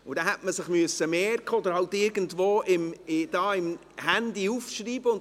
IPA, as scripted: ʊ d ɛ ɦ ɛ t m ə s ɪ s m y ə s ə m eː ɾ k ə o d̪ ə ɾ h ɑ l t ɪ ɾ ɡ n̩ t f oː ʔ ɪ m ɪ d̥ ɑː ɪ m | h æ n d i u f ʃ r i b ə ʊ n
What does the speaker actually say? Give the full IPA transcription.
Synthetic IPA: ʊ d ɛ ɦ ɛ t m ə s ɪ χ m y ə s ə m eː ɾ k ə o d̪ ə ɾ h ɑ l t ɪ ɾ ɡ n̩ t v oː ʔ ɪ m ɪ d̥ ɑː ɪ m | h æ n d i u f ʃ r iː b ə ʊ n